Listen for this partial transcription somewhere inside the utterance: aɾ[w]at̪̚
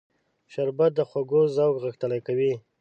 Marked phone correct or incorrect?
incorrect